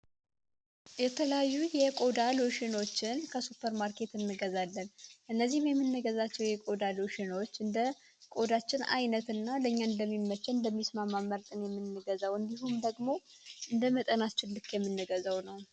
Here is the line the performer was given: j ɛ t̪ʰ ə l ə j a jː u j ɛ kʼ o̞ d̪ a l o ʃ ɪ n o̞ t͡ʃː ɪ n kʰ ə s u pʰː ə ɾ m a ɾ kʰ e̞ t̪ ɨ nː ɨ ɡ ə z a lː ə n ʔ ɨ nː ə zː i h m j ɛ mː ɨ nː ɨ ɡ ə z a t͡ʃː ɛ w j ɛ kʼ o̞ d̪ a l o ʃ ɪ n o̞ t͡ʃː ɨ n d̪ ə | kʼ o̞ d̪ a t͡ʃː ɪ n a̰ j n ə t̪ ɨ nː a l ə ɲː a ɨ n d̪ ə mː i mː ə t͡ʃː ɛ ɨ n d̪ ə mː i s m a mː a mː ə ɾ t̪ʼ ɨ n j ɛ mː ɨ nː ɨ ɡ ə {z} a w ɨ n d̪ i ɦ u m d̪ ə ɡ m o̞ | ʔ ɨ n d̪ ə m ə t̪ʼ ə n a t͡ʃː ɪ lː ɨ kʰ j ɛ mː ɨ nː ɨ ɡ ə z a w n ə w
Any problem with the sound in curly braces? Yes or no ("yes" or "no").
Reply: no